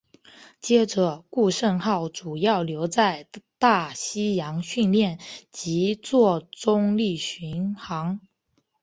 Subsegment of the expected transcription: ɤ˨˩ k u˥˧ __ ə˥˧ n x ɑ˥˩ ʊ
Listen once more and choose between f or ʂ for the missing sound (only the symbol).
ʂ